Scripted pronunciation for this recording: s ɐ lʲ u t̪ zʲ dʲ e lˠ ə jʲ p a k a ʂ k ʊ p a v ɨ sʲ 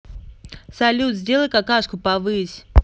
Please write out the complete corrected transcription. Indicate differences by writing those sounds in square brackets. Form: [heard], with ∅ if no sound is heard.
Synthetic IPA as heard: s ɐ lʲ u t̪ zʲ dʲ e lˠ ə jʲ [k] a k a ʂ k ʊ p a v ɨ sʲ